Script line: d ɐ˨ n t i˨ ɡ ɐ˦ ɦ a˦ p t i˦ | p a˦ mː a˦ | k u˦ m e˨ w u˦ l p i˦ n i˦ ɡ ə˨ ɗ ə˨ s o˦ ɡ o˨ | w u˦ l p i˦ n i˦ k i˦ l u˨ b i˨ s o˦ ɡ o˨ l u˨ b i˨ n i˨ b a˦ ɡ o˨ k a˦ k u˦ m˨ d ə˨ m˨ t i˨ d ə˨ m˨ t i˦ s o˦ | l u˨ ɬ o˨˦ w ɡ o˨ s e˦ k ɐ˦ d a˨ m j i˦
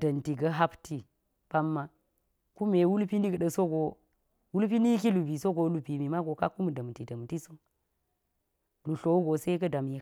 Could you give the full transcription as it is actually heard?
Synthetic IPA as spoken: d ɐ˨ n t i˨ ɡ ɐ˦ ɦ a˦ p t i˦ | p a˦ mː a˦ | k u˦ m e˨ w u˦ l p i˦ n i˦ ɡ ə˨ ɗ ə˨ s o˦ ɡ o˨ | w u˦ l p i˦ n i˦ k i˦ l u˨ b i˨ s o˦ ɡ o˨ l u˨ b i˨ m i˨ m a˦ ɡ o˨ k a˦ k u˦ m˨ d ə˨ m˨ t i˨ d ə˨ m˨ t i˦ s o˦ | l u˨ ɬ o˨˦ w ɡ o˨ s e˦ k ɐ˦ d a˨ m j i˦

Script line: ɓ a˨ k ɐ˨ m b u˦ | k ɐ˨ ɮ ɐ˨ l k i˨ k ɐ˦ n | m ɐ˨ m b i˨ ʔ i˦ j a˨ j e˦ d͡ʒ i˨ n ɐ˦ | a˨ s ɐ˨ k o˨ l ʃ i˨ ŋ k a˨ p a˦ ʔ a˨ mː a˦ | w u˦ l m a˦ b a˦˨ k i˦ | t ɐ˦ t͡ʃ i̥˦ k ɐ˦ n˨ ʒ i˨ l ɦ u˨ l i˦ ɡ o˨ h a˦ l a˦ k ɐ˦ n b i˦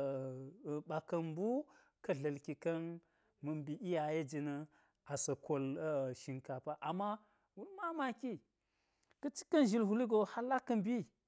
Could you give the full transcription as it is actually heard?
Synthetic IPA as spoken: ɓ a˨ k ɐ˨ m b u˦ | k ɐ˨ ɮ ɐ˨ l k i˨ k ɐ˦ n | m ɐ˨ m b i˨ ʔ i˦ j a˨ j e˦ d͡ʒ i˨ n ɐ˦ | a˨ s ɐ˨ k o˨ l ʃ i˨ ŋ k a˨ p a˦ ʔ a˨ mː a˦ | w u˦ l m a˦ m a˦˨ k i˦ | k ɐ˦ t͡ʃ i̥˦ k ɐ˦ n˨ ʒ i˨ l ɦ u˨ l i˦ ɡ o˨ h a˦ l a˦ k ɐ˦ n b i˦

